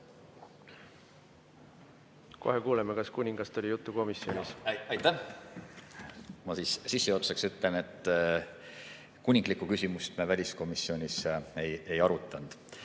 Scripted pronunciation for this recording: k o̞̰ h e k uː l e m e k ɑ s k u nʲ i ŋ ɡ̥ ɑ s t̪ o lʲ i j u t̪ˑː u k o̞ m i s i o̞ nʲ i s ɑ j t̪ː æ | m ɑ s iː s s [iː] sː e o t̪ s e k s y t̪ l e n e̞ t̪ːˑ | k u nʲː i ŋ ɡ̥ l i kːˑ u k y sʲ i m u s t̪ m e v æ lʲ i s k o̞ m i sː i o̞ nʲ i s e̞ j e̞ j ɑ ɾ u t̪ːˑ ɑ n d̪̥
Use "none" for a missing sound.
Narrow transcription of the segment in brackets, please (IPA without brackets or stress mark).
i